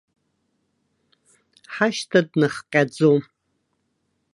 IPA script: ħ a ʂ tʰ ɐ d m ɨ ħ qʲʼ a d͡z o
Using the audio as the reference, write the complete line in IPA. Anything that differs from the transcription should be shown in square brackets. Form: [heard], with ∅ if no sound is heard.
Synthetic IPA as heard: ħ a [ʃ] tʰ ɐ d [n] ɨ [χ] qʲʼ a d͡z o